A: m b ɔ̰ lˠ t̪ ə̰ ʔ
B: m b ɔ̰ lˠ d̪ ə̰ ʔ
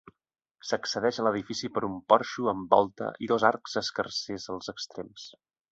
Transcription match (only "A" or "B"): A